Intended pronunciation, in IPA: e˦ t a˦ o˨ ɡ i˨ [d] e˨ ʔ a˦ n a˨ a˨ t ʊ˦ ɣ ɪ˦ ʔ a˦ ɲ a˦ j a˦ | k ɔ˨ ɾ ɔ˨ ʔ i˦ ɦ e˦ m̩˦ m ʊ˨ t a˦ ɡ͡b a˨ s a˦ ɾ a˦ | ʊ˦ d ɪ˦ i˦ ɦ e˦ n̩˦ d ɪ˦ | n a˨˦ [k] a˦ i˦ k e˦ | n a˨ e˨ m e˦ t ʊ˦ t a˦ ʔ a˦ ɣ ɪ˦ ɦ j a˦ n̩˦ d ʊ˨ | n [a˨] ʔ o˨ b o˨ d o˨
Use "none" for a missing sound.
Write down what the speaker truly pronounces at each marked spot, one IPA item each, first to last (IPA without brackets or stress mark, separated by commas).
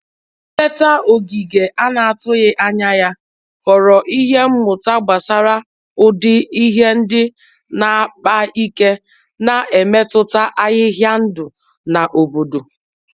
ɡ, k͡p, a˨